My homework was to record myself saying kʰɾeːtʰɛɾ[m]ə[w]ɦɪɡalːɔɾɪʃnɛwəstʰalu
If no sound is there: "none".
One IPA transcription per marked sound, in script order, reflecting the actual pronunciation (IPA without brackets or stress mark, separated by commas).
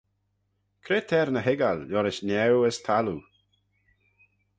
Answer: n, none